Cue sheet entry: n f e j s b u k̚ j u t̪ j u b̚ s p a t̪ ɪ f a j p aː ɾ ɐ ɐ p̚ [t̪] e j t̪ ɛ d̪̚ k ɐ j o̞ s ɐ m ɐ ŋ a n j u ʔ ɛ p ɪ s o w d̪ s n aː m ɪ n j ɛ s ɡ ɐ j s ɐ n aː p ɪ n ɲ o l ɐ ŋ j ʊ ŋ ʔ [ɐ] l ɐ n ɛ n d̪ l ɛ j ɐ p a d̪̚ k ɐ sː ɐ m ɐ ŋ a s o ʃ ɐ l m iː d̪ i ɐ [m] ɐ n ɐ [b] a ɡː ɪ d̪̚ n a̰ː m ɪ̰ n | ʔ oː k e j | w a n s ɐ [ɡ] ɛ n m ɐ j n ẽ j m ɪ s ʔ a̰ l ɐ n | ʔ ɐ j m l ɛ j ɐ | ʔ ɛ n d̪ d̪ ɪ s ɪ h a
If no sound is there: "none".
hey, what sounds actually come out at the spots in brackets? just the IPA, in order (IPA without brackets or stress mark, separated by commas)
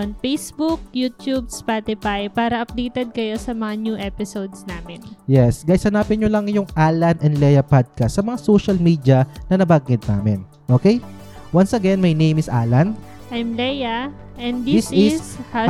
d̪, a, n, b, ɡ